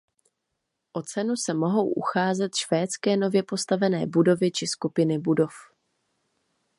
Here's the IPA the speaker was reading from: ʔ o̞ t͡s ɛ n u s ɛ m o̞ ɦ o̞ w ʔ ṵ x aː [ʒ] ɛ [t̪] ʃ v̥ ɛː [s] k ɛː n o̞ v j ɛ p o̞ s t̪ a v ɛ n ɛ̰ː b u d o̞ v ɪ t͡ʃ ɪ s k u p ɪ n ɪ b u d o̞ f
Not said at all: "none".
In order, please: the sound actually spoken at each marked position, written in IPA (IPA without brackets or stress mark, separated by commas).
z, t̪, t͡s